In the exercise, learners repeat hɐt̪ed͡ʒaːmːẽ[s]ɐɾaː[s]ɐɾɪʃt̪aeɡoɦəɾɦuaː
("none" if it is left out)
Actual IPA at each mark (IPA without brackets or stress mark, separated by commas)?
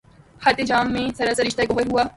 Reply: s, s